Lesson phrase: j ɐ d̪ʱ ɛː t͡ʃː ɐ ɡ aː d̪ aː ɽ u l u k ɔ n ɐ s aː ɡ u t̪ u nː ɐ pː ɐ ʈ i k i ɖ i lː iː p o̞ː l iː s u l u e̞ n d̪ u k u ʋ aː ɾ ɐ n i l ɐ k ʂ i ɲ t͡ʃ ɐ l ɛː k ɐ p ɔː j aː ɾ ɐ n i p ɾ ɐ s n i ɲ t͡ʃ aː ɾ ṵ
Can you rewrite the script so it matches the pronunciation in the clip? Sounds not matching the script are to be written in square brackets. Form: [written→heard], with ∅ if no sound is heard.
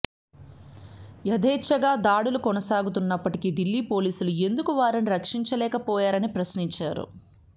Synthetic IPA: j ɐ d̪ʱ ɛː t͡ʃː ɐ ɡ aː d̪ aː ɽ u l u k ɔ n ɐ s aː ɡ u t̪ u nː ɐ pː ɐ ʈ i k i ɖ i lː iː p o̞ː l iː s u l u e̞ n d̪ u k u ʋ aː ɾ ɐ n i [l→ɾ] ɐ k ʂ i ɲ t͡ʃ ɐ l ɛː k ɐ p ɔː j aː ɾ ɐ n i p ɾ ɐ s n i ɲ t͡ʃ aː ɾ ṵ